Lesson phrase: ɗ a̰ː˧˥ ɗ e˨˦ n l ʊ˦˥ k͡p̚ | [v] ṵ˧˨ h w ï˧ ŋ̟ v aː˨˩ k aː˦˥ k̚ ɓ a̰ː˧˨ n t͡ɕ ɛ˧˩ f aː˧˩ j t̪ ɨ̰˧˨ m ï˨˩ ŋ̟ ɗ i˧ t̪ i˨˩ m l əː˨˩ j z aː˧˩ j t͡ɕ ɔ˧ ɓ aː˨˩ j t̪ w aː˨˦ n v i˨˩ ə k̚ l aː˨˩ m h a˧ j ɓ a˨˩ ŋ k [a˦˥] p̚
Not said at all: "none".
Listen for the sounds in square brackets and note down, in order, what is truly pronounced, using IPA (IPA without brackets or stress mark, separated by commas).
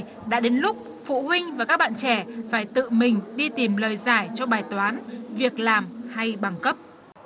f, ə˦˥